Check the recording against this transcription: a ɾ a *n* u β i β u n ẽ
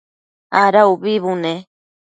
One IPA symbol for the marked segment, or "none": none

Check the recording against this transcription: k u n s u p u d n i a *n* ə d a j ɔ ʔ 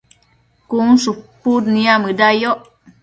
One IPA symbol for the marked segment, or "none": m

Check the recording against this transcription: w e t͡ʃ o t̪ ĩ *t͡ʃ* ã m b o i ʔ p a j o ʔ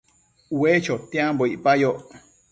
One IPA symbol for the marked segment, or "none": none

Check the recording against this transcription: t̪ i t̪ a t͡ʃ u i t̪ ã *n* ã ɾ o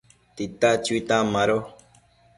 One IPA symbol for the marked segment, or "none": m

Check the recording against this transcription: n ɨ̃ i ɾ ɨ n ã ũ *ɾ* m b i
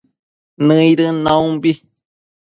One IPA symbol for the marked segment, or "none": none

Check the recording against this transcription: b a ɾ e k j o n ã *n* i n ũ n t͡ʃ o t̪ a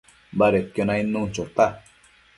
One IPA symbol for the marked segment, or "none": none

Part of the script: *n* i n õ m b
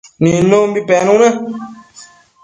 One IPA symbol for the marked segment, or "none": n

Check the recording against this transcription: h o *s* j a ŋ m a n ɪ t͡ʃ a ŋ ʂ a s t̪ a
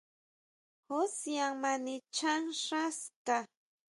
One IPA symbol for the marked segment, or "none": s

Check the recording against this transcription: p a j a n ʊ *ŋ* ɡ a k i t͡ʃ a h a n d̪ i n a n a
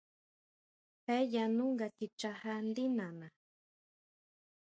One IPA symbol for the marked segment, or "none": ŋ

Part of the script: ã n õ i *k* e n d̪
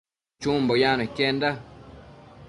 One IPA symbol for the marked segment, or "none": k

